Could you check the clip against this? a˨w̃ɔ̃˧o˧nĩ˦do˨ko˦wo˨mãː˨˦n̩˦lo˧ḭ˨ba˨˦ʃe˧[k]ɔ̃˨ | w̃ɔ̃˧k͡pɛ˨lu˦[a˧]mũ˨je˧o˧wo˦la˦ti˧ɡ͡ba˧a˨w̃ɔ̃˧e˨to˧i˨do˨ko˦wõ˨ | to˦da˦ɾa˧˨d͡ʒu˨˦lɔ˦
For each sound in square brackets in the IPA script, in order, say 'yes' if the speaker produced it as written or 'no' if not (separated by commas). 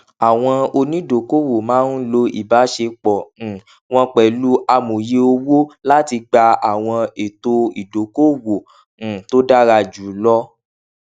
no, yes